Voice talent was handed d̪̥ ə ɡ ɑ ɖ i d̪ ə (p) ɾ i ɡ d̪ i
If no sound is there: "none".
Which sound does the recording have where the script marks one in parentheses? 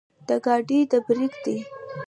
b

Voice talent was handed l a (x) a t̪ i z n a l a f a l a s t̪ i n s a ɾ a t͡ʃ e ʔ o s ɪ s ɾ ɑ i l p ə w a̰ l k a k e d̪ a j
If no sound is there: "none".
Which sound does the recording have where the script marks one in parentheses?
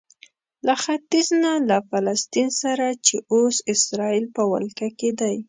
x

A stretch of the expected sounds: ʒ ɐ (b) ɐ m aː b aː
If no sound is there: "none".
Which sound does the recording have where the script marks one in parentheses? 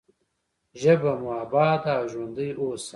b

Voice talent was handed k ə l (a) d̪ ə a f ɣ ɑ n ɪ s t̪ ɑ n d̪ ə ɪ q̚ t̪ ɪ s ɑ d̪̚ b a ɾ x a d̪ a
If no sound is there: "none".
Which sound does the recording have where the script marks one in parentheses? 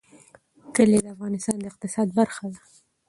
e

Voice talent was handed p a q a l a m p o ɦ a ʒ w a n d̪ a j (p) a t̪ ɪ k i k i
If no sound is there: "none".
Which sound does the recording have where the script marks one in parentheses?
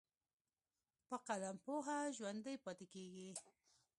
p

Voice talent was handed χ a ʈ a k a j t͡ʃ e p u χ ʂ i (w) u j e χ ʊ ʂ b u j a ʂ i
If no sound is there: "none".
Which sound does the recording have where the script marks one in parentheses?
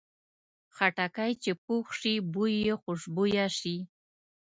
b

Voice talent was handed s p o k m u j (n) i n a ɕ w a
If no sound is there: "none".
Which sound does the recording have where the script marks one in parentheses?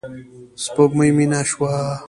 m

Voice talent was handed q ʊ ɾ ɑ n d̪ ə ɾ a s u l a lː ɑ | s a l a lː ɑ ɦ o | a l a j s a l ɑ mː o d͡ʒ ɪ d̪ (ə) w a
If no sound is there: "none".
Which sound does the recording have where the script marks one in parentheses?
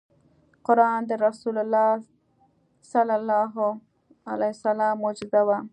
a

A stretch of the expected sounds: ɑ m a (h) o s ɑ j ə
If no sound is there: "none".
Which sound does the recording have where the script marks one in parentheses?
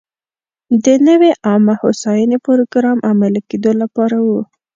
h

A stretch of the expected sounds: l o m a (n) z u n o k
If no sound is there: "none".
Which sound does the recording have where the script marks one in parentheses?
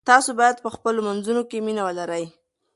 n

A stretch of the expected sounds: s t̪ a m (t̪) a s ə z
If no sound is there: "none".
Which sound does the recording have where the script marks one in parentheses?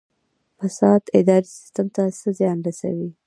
t̪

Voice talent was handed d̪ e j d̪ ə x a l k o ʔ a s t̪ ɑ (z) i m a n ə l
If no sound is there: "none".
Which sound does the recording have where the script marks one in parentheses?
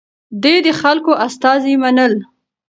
z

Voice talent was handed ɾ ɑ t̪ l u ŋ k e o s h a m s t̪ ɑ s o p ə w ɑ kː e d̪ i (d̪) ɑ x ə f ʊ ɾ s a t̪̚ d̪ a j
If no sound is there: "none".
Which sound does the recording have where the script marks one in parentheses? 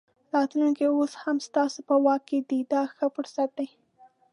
d̪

